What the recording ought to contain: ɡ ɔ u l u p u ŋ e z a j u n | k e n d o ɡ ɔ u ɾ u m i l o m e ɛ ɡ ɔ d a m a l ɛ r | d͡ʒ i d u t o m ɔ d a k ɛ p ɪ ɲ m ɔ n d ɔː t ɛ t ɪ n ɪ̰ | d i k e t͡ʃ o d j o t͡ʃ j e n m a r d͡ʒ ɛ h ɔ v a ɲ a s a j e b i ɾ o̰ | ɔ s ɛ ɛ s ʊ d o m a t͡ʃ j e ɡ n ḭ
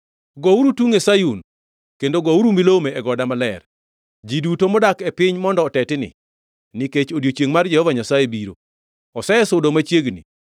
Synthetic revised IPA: ɡ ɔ u ɾ u t u ŋ e s a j u n | k e n d o ɡ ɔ u ɾ u m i l o m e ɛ ɡ ɔ d a m a l ɛ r | d͡ʒ i d u t o m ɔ d a k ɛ p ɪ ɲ m ɔ n d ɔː t ɛ t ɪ n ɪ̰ | n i k e t͡ʃ o d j o t͡ʃ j e ŋ m a r d͡ʒ ɛ h ɔ v a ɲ a s a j e b i ɾ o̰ | ɔ s ɛ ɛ s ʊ d o m a t͡ʃ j e ɡ n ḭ